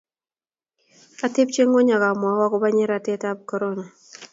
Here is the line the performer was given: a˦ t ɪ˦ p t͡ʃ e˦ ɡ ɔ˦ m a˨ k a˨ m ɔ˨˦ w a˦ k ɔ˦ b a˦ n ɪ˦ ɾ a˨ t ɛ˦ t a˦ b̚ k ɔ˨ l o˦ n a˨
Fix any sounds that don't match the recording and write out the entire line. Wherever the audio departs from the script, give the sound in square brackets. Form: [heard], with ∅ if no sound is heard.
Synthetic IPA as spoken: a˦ t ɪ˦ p t͡ʃ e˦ [ŋ] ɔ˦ [ɲ] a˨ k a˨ m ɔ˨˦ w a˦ k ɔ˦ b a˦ [ɲ] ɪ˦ ɾ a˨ t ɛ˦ t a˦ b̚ k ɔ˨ [ɾ] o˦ n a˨